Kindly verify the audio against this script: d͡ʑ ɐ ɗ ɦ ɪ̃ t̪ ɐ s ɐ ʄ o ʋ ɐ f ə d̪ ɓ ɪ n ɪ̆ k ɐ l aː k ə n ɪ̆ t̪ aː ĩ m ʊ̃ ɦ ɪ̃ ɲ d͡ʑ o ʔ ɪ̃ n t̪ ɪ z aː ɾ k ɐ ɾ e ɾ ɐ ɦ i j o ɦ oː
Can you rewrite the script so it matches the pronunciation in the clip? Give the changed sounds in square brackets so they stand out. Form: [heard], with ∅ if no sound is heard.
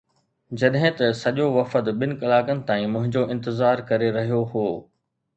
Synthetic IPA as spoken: d͡ʑ ɐ ɗ ɦ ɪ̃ t̪ ɐ s ɐ ʄ o ʋ ɐ f ə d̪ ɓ ɪ n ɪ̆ k ɐ l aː k ə n ɪ̆ t̪ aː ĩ m ʊ̃ ɦ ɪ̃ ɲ d͡ʑ o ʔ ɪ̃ n t̪ ɪ z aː ɾ k ɐ ɾ e ɾ ɐ ɦ i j o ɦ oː